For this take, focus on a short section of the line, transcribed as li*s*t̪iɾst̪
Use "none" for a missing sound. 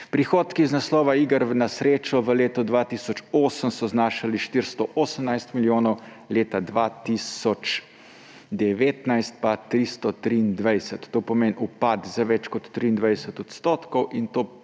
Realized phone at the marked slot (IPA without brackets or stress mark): ʃ